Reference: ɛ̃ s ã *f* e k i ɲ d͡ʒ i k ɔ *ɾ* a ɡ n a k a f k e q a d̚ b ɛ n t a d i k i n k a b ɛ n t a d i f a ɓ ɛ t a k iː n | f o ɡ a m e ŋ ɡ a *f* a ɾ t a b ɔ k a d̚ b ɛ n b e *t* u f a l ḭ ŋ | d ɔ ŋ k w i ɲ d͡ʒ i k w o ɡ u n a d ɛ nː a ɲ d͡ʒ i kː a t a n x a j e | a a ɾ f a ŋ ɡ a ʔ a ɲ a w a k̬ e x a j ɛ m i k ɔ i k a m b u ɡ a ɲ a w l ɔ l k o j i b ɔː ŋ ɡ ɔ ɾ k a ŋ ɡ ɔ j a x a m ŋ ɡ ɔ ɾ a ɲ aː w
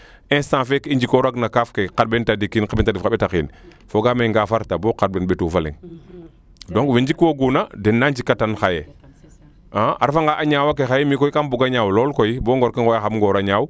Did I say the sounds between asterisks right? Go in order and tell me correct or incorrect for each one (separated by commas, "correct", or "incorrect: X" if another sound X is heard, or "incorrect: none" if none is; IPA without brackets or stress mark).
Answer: correct, correct, correct, correct